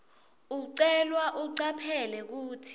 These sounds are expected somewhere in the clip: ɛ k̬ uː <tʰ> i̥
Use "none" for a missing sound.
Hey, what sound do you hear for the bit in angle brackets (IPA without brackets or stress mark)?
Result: tʰ